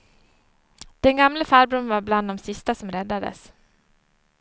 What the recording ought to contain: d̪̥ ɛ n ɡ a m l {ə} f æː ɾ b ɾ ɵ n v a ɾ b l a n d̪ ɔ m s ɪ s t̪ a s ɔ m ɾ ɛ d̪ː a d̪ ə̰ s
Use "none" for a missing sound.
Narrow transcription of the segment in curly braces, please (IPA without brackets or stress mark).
ə